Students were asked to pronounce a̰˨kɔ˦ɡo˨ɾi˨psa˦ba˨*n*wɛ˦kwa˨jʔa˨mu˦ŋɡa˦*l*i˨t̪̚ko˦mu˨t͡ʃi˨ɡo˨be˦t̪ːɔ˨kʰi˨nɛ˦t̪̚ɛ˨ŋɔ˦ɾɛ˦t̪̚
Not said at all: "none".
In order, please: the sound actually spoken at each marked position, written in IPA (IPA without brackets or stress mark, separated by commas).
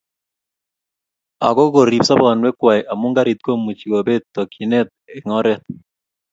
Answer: n, ɾ